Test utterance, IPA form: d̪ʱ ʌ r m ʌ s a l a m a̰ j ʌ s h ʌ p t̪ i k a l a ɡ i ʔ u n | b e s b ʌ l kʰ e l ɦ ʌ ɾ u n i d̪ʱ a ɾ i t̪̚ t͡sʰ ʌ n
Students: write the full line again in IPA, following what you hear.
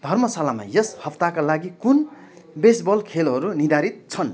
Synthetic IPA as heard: d̪ʱ ʌ r m ʌ s a l a m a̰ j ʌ s h ʌ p t̪ a k a l a ɡ i k u n | b e s b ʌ l kʰ e l ɦ ʌ ɾ u n i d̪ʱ a ɾ i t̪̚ t͡sʰ ʌ n